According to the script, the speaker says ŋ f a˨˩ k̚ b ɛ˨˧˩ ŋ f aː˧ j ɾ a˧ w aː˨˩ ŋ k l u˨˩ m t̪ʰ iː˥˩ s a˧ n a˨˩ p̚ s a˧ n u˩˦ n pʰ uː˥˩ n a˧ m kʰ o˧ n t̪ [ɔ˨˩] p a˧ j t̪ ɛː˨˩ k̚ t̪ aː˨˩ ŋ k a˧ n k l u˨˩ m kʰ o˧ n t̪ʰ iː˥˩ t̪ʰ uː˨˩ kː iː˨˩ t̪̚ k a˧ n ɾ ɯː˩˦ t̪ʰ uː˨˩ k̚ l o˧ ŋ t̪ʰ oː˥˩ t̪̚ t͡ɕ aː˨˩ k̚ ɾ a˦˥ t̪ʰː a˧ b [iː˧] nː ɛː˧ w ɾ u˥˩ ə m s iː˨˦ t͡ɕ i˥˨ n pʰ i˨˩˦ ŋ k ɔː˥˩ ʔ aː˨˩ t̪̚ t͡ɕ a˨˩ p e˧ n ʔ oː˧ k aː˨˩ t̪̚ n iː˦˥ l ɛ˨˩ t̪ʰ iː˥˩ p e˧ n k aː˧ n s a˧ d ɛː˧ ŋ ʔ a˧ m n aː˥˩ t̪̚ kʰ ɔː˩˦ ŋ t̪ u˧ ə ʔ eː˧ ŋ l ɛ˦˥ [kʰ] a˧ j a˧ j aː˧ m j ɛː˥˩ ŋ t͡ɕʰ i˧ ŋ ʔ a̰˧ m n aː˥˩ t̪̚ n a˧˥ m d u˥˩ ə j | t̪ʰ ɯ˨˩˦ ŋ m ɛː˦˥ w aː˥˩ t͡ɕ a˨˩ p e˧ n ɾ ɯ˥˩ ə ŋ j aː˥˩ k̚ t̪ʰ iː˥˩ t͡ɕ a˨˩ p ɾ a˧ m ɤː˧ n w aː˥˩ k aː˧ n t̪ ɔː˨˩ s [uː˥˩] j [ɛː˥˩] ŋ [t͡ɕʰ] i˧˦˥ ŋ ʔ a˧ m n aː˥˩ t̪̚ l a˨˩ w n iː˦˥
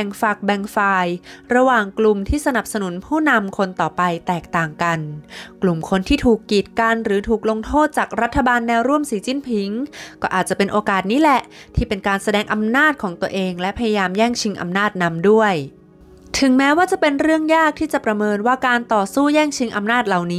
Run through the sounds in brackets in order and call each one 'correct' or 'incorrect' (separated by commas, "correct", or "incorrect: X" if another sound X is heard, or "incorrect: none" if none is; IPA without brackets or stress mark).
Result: incorrect: ɔː˨˩, incorrect: aː˧, incorrect: pʰ, correct, correct, correct